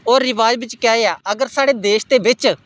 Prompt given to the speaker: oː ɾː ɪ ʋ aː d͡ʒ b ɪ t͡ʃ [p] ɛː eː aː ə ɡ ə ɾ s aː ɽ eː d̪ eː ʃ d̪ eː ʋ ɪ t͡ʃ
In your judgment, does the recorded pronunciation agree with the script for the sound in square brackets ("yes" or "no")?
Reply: no